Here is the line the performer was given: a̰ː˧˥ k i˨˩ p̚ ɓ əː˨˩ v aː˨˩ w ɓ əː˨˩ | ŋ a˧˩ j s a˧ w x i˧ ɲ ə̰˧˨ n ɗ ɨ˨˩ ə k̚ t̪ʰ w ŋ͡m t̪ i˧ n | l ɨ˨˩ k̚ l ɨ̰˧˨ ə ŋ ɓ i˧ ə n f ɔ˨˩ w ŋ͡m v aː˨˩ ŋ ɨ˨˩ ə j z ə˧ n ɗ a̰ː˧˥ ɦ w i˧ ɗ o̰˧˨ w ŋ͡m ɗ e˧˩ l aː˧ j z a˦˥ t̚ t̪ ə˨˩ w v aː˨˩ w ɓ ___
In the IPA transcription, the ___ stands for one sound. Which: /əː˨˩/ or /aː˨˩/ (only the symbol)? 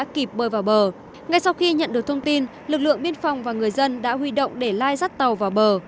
əː˨˩